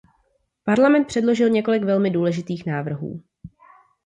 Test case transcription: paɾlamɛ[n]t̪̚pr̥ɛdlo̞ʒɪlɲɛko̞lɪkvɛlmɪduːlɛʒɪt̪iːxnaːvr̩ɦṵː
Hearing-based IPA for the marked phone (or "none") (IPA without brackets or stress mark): n